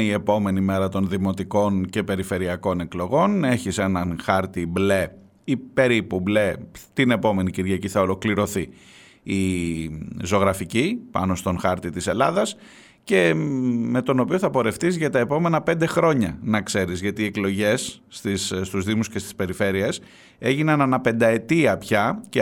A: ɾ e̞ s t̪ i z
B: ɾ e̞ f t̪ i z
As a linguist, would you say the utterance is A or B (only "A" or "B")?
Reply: B